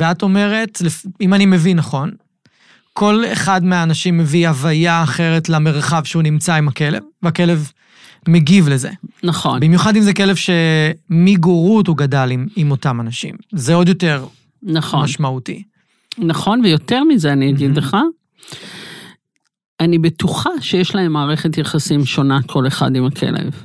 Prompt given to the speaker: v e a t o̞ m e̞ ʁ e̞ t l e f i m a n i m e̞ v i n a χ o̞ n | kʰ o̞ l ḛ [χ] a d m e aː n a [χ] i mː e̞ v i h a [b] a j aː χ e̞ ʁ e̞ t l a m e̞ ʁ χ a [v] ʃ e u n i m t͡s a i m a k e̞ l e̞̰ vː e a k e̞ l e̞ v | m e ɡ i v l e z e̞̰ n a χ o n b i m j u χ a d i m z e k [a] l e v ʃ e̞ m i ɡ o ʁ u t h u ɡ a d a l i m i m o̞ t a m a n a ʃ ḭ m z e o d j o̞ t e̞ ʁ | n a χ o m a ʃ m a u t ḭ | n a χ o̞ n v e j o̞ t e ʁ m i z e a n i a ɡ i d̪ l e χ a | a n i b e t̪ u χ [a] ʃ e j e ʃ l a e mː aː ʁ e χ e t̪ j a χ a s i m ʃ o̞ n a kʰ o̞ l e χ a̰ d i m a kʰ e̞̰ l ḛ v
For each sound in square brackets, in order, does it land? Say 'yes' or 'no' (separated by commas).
yes, no, no, yes, no, yes